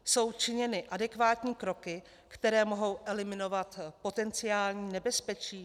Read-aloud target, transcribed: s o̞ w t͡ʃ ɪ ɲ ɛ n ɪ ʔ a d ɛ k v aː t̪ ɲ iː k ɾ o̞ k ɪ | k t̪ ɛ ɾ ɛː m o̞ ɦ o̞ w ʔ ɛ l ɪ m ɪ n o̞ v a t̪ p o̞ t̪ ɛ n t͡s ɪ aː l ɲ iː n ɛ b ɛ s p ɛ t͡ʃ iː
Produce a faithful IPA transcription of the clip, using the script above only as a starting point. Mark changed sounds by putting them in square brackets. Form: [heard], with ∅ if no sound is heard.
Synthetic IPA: s o̞ w t͡ʃ ɪ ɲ ɛ n ɪ ʔ a d ɛ k v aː t̪ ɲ iː k ɾ o̞ k ɪ | k t̪ ɛ ɾ ɛː m o̞ ɦ o̞ w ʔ ɛ l ɪ m ɪ n o̞ v a t̪ p o̞ t̪ ɛ n t͡s ɪ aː l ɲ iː n ɛ b ɛ s p ɛ t͡ʃ iː

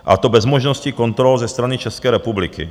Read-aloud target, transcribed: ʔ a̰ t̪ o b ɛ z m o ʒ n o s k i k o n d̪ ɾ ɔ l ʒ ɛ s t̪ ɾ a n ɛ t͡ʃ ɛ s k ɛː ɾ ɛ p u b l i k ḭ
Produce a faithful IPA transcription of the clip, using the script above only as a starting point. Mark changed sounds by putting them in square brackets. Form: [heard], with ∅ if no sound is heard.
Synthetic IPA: ʔ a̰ t̪ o b ɛ z m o ʒ n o s [c] i k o n [t̪] ɾ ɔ l [z] ɛ s t̪ ɾ a n [i] t͡ʃ ɛ s k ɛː ɾ ɛ p u b l i k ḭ

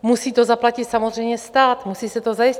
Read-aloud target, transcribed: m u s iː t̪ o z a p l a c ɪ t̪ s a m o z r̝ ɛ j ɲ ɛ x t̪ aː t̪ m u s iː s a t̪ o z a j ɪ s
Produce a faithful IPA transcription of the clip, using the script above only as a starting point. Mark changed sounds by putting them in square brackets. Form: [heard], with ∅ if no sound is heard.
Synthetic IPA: m u s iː t̪ o z a p l a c ɪ t̪ s a m o z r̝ ɛ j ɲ ɛ [s] t̪ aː t̪ m u s iː s [ɛ] t̪ o z a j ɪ s

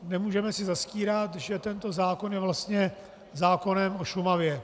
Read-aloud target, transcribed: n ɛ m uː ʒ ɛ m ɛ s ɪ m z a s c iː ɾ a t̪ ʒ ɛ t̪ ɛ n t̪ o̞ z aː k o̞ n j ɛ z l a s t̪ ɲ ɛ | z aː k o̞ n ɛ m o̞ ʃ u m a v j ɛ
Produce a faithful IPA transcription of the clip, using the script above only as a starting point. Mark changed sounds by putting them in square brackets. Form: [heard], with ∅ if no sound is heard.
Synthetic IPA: n ɛ m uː ʒ ɛ m ɛ s ɪ [∅] z a s c iː ɾ a t̪ ʒ ɛ t̪ ɛ n t̪ o̞ z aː k o̞ n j ɛ [v] l a s t̪ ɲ ɛ | z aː k o̞ n ɛ m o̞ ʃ u m a v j ɛ

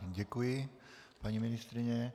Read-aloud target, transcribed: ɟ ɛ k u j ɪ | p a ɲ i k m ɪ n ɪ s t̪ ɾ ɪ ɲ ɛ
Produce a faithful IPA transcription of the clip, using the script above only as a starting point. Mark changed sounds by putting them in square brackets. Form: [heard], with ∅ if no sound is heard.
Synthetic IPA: ɟ ɛ k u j ɪ | p a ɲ i [∅] m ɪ n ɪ s t̪ ɾ ɪ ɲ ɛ

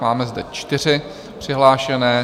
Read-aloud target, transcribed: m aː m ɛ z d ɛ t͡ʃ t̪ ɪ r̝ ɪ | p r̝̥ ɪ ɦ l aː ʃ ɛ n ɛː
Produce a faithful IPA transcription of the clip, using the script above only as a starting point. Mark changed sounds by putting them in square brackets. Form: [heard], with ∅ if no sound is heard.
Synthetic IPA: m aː m ɛ z d ɛ t͡ʃ t̪ ɪ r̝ ɪ | p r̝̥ ɪ ɦ l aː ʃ ɛ n ɛː

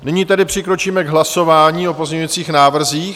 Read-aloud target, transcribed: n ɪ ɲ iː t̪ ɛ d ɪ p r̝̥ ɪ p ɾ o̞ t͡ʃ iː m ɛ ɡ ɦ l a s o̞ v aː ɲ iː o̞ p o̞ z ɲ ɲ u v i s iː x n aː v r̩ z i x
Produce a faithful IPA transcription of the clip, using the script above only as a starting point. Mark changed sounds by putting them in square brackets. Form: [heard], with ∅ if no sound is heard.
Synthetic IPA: n ɪ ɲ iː t̪ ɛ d ɪ p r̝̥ ɪ [k] ɾ o̞ t͡ʃ iː m ɛ ɡ ɦ l a s o̞ v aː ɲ iː o̞ p o̞ z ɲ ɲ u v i [t͡s] iː x n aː v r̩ z [iː] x

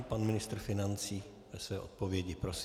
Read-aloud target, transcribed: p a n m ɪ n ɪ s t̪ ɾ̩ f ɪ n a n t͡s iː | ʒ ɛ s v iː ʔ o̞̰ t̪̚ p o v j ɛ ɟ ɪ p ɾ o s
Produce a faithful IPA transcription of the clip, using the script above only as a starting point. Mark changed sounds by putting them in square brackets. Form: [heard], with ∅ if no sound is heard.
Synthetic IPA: p a n m ɪ n ɪ s t̪ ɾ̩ f ɪ n a n t͡s iː | [v] ɛ s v [ɛː] ʔ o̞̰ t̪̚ p o v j ɛ ɟ ɪ p ɾ o s

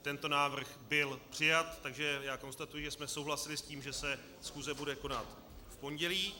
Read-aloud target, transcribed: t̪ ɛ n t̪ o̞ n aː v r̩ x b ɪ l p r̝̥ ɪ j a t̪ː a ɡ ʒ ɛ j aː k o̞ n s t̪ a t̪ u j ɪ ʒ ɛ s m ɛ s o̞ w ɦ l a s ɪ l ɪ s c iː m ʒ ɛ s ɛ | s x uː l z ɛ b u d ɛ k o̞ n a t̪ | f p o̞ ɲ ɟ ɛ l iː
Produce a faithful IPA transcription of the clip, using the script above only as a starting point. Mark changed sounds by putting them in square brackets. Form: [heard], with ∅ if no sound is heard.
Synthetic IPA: t̪ ɛ n t̪ o̞ n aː v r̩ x b ɪ l p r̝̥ ɪ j a t̪ː a ɡ ʒ ɛ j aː k o̞ n s t̪ a t̪ u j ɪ ʒ ɛ s m ɛ s o̞ w ɦ l a s ɪ l ɪ s c iː m ʒ ɛ s ɛ | s x uː [∅] z ɛ b u d ɛ k o̞ n a t̪ | f p o̞ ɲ ɟ ɛ l iː

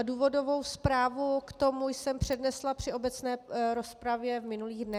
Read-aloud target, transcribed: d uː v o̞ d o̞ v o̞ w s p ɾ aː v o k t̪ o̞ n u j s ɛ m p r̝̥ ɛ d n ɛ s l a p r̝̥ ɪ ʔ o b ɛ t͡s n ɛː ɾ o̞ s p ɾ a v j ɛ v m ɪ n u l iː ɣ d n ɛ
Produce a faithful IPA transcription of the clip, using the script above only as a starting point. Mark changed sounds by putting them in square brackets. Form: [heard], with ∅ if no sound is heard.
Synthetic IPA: d uː v o̞ d o̞ v o̞ w s p ɾ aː v [u] k t̪ o̞ [m] u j s ɛ m p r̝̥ ɛ d n ɛ s l a p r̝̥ ɪ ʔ o b ɛ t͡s n ɛː ɾ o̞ s p ɾ a v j ɛ v m ɪ n u l iː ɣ d n ɛ

